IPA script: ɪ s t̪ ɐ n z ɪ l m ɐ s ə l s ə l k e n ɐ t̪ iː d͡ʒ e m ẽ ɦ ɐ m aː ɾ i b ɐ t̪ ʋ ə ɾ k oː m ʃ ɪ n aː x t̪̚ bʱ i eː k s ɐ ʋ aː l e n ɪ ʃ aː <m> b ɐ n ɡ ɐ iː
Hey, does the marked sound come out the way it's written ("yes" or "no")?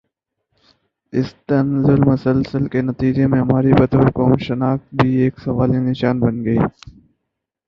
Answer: no